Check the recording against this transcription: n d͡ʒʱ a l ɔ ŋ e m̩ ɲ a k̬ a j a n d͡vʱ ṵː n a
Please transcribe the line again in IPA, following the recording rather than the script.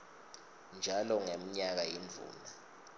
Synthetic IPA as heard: n d͡ʒʱ a l ɔ ŋ e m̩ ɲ a k̬ a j i n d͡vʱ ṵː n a